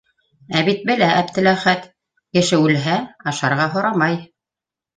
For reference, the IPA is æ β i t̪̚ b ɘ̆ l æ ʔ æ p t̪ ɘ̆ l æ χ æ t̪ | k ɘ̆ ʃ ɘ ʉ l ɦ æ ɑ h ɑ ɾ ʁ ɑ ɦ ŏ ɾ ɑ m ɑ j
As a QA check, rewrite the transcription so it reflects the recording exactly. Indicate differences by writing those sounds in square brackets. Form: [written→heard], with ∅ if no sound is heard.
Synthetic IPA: æ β i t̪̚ b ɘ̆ l æ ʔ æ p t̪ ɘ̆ l æ χ æ t̪ | k ɘ̆ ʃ ɘ ʉ l ɦ æ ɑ [h→ʃ] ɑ ɾ ʁ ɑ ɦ ŏ ɾ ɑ m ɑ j